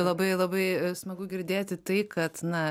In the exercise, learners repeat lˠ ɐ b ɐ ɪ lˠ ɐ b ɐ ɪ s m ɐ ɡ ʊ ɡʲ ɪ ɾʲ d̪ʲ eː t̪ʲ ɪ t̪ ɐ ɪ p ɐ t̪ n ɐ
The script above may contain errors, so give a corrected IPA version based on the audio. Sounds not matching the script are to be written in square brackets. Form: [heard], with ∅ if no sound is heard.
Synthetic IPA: lˠ ɐ b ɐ ɪ lˠ ɐ b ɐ ɪ s m ɐ ɡ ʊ ɡʲ ɪ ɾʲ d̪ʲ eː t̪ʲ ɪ t̪ ɐ ɪ [k] ɐ t̪ n ɐ